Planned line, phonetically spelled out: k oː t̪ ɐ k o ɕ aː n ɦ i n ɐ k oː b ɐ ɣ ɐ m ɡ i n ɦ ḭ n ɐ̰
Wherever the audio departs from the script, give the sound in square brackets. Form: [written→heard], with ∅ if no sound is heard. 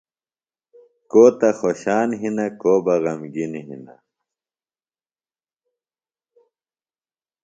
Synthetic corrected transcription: k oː t̪ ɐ [k→x] o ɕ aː n ɦ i n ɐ k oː b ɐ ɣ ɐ m ɡ i n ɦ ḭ n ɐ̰